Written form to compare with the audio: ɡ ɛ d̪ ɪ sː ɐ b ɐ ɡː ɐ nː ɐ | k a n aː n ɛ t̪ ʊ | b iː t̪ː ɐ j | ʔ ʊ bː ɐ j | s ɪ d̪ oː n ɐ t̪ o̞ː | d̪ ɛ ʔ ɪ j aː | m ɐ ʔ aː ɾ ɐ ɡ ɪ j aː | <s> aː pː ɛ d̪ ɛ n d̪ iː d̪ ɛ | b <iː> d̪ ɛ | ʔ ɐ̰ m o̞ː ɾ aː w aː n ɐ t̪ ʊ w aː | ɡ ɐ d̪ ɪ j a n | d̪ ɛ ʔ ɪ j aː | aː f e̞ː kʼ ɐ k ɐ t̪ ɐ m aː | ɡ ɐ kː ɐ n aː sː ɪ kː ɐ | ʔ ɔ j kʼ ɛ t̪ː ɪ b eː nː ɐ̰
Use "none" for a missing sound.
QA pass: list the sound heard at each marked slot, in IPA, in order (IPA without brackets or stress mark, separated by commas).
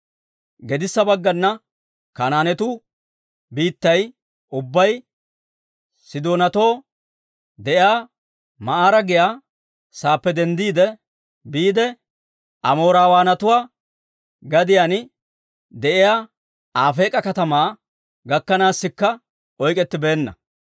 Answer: s, iː